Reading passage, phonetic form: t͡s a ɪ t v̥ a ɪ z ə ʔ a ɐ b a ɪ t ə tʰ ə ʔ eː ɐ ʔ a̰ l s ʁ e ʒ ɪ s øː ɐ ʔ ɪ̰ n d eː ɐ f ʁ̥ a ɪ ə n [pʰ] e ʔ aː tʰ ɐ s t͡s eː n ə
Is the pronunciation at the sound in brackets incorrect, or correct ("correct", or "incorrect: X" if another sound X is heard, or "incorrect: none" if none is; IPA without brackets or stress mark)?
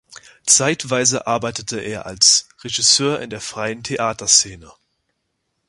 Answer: incorrect: tʰ